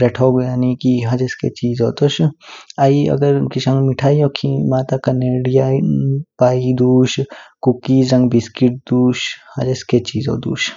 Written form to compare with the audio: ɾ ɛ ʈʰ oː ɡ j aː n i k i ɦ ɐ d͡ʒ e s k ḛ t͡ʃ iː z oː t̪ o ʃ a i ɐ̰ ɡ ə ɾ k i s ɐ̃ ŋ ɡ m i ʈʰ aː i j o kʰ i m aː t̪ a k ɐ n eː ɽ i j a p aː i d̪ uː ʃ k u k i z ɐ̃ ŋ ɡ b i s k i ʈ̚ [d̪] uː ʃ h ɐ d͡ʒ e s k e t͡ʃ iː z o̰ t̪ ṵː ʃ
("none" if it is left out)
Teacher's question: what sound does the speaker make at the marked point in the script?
d̪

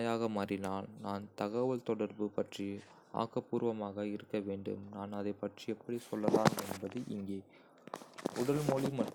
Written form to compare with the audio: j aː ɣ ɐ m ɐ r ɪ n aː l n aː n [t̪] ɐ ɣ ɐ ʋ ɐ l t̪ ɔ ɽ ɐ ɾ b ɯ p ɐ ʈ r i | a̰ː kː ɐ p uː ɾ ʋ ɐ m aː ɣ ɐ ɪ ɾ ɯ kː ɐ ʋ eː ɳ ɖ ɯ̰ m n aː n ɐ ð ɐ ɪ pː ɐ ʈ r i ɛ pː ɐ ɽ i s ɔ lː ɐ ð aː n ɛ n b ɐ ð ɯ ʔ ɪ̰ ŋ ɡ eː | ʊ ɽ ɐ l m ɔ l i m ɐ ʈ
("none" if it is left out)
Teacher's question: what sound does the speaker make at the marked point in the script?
t̪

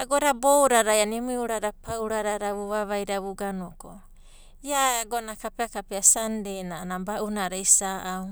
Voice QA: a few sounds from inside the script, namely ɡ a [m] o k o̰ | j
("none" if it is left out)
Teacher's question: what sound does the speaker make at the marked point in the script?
n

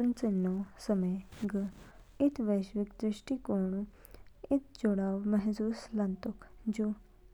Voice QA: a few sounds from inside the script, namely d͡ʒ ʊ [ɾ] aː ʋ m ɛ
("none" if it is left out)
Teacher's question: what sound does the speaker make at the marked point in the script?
ɽ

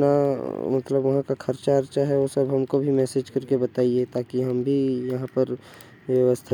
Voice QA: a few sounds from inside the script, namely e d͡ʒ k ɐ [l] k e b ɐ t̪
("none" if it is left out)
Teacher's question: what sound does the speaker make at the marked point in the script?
ɾ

